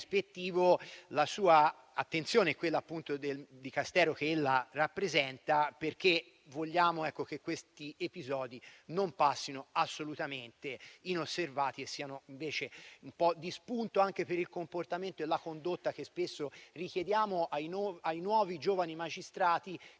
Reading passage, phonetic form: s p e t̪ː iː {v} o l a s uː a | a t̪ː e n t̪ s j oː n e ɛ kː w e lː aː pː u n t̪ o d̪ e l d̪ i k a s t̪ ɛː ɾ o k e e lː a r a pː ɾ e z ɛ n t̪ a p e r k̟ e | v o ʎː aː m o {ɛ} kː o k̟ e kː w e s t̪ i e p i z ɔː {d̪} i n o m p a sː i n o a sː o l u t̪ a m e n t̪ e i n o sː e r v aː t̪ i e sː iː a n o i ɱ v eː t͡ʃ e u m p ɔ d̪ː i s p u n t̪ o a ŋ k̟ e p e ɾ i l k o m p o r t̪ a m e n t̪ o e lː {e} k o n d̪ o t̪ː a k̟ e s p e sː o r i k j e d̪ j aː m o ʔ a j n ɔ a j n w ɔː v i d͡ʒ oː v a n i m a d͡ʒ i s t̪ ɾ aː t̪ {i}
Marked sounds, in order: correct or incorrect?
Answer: correct, correct, correct, incorrect, correct

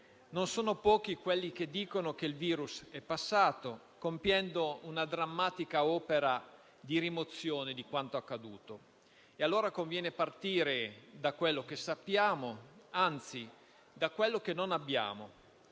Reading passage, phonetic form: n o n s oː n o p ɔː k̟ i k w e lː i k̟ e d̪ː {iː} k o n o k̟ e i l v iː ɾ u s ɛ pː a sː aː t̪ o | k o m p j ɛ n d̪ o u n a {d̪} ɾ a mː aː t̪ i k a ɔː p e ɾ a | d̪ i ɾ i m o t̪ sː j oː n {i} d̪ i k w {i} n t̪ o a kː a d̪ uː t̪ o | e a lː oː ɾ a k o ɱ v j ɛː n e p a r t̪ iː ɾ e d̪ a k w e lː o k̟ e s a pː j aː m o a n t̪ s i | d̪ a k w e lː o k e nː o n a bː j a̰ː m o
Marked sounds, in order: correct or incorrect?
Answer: correct, correct, incorrect, incorrect

